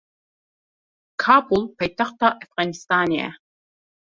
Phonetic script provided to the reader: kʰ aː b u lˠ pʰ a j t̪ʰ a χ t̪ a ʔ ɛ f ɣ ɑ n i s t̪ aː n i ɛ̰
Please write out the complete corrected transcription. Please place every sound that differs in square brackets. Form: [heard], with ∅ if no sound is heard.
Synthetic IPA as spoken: kʰ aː b u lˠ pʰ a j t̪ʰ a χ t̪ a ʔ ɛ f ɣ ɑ n i s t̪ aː n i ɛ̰